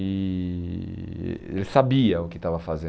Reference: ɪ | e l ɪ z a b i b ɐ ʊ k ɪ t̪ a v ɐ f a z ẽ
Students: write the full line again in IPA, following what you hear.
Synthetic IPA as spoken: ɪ | e l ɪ s a b i ɐ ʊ k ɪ t̪ a v ɐ f a z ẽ